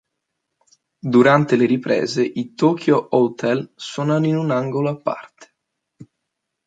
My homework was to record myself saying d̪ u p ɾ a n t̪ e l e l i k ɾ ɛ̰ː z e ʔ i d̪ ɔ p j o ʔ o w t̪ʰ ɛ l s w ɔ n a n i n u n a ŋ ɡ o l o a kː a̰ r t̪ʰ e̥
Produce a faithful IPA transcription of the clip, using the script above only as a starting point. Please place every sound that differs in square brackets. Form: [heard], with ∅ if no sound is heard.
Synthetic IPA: d̪ u [∅] ɾ a n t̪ e l e [ɾ] i [p] ɾ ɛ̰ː z e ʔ i [t̪] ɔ [k] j o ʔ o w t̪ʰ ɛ l s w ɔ n a n i n u n a ŋ ɡ o l o a [pː] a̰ r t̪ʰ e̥